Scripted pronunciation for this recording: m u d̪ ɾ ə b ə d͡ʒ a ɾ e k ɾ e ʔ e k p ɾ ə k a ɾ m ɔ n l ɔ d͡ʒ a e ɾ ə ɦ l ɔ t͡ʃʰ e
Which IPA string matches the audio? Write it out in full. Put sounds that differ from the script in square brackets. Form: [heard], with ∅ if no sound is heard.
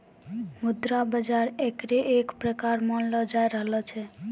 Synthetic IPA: m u d̪ ɾ [a] b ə d͡ʒ a ɾ e k ɾ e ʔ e k p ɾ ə k a ɾ m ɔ n l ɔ d͡ʒ a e ɾ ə ɦ l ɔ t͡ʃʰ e